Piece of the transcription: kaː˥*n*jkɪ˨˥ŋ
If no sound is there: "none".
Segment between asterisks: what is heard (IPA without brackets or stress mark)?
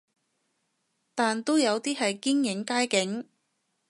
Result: none